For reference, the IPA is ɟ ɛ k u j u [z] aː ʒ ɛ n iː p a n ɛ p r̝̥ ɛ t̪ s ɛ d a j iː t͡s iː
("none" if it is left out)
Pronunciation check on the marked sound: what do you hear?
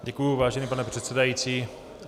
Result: v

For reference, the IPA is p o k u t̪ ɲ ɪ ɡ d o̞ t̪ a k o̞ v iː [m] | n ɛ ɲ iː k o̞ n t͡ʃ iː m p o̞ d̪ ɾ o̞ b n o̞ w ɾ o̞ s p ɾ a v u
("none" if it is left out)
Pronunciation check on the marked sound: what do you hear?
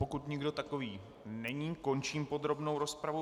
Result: none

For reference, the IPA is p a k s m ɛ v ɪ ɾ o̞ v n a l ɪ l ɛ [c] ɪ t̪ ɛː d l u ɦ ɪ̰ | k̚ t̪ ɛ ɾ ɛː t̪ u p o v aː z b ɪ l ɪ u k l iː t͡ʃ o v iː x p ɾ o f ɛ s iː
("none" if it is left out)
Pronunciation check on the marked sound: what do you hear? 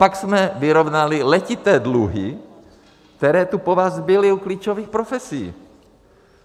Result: c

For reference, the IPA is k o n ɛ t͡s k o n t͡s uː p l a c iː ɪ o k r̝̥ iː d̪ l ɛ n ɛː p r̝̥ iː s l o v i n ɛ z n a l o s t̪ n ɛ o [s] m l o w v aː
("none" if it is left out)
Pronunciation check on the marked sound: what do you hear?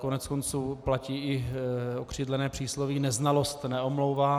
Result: none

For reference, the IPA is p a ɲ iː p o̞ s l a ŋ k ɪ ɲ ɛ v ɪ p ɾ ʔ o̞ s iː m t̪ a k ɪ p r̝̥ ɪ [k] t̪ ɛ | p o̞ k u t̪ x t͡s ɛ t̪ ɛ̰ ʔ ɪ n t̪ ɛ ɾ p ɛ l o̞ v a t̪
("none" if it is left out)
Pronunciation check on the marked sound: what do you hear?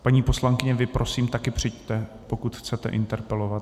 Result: c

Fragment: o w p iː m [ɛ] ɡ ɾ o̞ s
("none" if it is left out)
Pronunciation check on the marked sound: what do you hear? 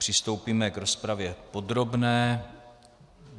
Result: ɛ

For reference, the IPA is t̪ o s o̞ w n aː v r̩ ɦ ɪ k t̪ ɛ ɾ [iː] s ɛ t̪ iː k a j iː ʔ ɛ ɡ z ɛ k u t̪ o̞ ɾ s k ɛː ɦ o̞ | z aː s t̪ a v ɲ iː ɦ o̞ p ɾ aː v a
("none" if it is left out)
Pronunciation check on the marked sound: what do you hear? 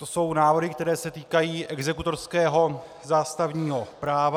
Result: ɛː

